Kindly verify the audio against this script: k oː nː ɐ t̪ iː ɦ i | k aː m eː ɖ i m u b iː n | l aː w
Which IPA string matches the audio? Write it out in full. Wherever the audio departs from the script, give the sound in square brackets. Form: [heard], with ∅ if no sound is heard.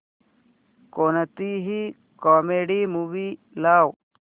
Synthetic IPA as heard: k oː [n] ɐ t̪ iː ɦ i | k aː m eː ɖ i m u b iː [∅] | l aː w